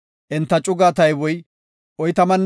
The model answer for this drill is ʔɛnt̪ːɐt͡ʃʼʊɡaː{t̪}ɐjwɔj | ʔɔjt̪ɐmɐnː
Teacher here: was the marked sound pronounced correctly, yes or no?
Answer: yes